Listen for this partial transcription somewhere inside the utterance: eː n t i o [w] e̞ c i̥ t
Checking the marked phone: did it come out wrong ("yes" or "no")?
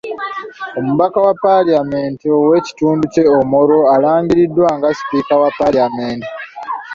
no